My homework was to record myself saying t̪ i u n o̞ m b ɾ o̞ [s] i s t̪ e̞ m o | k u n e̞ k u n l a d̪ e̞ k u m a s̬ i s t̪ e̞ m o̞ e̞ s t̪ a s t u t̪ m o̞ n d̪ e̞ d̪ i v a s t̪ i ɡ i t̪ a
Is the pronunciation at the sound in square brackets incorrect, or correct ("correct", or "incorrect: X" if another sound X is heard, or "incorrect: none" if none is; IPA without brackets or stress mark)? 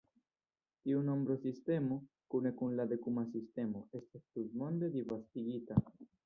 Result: correct